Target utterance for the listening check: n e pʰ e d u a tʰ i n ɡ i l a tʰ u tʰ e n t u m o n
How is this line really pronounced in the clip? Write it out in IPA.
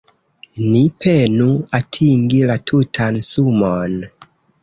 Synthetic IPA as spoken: n i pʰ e n u a tʰ i ŋ ɡ i l a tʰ u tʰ a n s u m o n